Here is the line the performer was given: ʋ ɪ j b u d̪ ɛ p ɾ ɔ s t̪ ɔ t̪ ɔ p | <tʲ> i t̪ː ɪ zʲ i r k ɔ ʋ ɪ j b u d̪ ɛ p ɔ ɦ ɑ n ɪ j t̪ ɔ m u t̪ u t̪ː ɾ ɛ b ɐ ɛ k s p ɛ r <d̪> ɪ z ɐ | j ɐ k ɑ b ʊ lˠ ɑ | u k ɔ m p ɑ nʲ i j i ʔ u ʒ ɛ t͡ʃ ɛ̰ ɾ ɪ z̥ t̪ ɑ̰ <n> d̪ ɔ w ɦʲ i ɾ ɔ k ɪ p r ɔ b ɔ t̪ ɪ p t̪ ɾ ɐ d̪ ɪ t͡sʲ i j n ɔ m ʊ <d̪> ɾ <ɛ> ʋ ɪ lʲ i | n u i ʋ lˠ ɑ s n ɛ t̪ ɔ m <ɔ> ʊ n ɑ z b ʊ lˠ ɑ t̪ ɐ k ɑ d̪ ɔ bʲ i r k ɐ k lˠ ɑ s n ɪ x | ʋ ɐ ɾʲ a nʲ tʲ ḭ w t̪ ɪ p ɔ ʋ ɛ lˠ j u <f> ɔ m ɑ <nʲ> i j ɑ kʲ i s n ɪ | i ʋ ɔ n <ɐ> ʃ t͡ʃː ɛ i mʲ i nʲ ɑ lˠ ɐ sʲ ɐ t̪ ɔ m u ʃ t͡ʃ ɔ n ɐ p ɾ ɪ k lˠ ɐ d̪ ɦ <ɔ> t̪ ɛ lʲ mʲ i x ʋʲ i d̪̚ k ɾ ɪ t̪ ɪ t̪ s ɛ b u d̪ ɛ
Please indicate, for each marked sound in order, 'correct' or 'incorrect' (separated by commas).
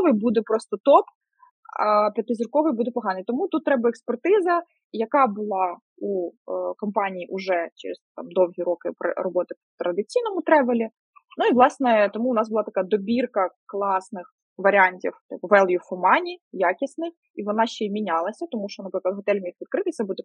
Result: incorrect, incorrect, incorrect, incorrect, correct, incorrect, correct, correct, incorrect, correct